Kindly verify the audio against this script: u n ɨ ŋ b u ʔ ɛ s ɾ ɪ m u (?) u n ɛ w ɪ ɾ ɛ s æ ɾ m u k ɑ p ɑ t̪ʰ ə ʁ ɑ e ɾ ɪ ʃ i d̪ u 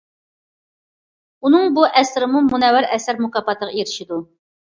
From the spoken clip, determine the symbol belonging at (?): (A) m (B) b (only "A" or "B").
A